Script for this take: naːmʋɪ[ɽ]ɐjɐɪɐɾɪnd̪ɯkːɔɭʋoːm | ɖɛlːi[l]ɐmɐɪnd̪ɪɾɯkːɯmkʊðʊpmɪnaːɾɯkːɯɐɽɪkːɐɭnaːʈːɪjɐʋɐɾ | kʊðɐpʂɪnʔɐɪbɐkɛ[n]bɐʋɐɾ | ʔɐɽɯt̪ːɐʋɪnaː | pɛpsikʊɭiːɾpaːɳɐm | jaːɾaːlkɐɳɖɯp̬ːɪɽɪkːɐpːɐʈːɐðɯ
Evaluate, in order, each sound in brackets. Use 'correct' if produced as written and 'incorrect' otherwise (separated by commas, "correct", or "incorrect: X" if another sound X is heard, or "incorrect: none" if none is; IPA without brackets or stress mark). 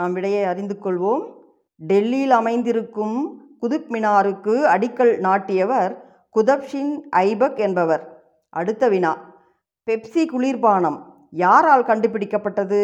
correct, correct, correct